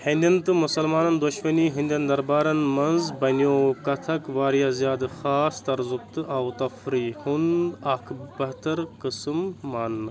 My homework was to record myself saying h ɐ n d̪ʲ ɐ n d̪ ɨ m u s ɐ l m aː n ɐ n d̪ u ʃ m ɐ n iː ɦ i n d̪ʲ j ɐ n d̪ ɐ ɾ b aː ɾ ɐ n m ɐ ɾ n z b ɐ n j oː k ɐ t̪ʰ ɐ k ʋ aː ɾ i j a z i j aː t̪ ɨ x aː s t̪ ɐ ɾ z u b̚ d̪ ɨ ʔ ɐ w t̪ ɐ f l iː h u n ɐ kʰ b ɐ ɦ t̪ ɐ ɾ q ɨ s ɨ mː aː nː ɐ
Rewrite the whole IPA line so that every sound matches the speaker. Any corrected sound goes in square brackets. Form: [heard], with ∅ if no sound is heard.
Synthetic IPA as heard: h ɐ n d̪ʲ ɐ n [t̪] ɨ m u s ɐ l m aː n ɐ n d̪ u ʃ m ɐ n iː ɦ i n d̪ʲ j ɐ n d̪ ɐ ɾ b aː ɾ ɐ n m ɐ [∅] n z b ɐ n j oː k ɐ t̪ʰ ɐ k ʋ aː ɾ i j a z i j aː [d̪] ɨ x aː s t̪ ɐ ɾ z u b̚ [t̪] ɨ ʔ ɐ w t̪ ɐ f [ɾ] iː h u n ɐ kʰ b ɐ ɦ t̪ ɐ ɾ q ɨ s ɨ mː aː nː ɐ